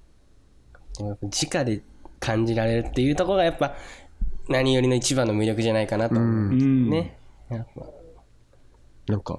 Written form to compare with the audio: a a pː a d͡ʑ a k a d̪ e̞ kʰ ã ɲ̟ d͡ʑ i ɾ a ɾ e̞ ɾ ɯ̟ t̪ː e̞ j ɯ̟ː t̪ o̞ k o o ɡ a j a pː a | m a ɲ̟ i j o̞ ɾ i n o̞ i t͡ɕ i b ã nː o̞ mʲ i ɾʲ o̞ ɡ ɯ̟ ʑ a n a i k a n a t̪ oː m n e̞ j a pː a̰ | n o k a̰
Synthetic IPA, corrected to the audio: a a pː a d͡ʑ i k a d̪ e̞ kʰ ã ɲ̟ d͡ʑ i ɾ a ɾ e̞ ɾ ɯ̟ t̪ː e̞ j ɯ̟ː t̪ o̞ k o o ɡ a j a pː a | n a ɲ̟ i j o̞ ɾ i n o̞ i t͡ɕ i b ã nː o̞ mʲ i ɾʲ o̞ k ɯ̟ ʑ a n a i k a n a t̪ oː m n e̞ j a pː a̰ | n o k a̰